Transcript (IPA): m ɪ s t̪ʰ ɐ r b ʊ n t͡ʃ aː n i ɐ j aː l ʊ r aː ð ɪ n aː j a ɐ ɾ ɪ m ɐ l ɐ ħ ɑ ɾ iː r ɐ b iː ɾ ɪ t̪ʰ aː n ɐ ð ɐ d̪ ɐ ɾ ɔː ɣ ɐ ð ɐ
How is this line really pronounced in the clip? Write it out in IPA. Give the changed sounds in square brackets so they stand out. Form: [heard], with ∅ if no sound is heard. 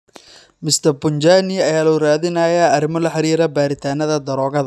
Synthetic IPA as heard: m ɪ s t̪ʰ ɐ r b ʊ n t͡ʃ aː n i ɐ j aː l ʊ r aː ð ɪ n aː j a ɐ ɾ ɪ m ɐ l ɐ ħ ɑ ɾ iː [ɾ] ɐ b [aː] ɾ ɪ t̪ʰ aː n ɐ ð ɐ d̪ ɐ ɾ ɔː ɣ ɐ ð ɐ